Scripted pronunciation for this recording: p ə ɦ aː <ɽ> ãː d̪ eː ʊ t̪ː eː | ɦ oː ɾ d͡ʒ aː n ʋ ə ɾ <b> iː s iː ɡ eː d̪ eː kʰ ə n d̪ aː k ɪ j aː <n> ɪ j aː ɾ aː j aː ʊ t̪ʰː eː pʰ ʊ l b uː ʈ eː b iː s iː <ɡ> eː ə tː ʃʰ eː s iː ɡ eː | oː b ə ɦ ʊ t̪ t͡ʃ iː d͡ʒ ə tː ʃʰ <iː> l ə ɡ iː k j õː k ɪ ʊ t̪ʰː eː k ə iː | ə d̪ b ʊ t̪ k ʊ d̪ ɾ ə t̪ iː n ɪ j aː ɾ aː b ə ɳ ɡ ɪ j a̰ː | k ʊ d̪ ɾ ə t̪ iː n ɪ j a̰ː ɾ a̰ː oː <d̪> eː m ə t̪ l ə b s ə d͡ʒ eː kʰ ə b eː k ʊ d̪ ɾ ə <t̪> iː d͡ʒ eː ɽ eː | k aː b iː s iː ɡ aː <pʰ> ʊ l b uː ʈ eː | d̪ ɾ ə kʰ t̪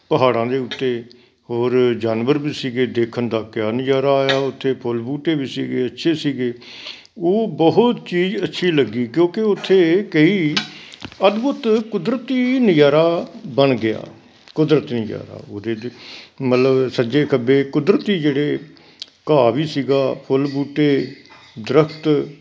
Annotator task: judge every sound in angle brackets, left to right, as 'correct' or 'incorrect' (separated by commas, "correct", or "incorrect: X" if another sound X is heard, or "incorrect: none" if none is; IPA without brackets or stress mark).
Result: correct, correct, correct, correct, correct, correct, correct, correct